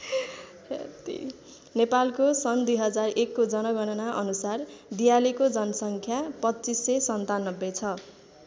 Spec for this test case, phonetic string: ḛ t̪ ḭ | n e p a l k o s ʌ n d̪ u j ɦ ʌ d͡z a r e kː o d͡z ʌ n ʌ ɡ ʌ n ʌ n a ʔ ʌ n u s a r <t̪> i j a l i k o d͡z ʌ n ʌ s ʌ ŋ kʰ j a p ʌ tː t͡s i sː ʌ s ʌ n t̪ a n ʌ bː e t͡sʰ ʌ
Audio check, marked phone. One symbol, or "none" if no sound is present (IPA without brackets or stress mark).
d̪